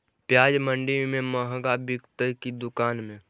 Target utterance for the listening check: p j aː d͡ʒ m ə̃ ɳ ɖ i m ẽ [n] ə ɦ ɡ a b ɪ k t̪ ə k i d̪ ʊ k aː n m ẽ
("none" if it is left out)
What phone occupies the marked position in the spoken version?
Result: m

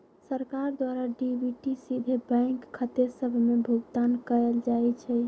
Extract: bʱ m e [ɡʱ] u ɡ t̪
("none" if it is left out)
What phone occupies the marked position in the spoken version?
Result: bʱ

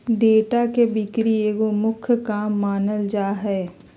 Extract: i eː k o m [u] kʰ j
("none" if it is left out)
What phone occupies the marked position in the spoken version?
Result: ʊ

